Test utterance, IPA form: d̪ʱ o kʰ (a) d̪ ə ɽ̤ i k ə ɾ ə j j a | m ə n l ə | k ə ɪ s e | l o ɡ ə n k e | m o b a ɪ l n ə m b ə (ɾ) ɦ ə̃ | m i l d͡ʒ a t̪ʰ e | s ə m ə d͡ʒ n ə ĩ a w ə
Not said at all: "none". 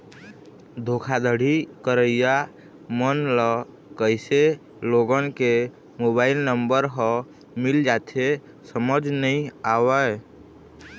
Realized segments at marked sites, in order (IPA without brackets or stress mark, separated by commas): a, ɾ